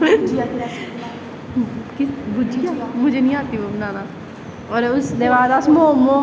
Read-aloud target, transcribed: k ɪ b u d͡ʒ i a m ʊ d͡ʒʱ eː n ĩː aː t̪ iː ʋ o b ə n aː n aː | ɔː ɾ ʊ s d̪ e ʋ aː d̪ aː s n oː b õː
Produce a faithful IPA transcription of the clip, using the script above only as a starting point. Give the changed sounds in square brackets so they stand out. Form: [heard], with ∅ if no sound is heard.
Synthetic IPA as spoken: k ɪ b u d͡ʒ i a m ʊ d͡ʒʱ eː n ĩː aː t̪ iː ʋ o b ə n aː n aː | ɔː ɾ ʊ s d̪ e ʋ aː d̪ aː s [m] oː [m] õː